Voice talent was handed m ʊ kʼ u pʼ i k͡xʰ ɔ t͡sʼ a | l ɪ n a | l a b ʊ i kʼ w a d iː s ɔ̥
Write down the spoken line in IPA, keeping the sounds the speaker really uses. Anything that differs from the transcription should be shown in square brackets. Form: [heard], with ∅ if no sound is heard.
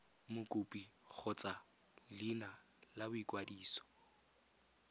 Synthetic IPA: m ʊ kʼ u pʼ i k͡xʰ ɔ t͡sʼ a | l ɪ n a | l a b ʊ i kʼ w a d iː s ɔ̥